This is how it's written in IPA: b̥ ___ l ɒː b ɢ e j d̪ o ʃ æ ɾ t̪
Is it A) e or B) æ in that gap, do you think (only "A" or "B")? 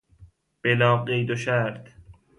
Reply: A